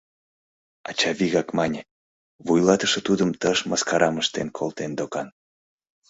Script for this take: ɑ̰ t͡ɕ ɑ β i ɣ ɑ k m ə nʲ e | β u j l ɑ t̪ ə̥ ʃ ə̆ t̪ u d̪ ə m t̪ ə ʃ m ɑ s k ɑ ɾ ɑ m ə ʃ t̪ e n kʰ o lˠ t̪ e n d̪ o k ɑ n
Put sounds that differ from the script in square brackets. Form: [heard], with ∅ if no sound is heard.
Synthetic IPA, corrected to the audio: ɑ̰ t͡ɕ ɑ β i ɣ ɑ k m [ɑ] nʲ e | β u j l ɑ t̪ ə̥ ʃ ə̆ t̪ u d̪ ə m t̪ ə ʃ m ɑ s k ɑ ɾ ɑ m ə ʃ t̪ e n kʰ o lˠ t̪ e n d̪ o k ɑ n